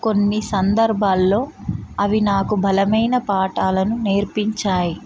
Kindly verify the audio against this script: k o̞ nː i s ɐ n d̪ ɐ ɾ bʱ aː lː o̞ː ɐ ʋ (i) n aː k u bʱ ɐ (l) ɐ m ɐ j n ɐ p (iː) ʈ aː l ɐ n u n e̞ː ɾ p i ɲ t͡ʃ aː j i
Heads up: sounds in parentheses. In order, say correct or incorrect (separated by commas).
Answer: correct, correct, incorrect